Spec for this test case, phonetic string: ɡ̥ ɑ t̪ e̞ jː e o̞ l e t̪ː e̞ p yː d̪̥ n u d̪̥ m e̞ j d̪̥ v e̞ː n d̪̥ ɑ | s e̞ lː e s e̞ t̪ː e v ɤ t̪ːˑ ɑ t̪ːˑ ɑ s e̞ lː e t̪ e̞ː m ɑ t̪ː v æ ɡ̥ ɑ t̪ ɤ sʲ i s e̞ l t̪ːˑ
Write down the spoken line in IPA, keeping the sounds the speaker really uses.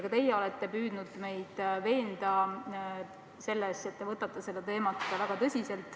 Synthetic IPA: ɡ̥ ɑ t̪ e̞ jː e o̞ l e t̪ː e̞ p yː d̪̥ n u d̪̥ m e̞ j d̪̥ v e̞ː n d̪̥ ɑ | s e̞ lː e s e̞ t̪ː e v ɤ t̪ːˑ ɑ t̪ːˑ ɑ s e̞ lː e t̪ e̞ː m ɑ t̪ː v æ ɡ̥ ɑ t̪ ɤ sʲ i s e̞ l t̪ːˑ